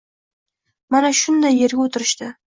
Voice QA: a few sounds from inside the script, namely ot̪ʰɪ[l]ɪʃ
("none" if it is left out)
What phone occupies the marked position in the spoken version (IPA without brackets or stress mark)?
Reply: ɾ